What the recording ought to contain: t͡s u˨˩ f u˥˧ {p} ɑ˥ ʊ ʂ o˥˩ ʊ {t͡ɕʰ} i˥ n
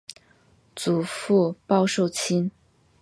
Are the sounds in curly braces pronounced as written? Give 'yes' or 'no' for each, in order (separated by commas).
yes, yes